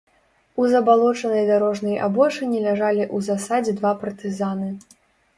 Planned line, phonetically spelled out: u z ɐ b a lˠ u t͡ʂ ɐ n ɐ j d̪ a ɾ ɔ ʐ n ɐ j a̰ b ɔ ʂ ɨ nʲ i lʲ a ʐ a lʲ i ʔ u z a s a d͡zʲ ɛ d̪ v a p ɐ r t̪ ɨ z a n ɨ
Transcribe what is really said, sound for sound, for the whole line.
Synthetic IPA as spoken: u z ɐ b a lˠ ɔ t͡ʂ ɐ n ɐ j d̪ a ɾ ɔ ʐ n ɐ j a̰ b ɔ ʂ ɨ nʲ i lʲ a ʐ a lʲ i ʔ u z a s a d͡zʲ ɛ d̪ v a p ɐ r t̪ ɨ z a n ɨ